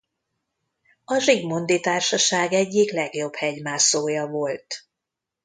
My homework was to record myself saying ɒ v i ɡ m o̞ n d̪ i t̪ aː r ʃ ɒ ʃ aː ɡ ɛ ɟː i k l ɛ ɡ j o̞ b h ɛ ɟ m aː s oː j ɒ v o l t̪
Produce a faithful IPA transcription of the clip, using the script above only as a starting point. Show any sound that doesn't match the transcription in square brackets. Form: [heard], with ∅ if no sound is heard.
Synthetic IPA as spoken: ɒ [ʒ] i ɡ m o̞ n d̪ i t̪ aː r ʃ ɒ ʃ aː ɡ ɛ ɟː i k l ɛ ɡ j o̞ b h ɛ ɟ m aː s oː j ɒ v o l t̪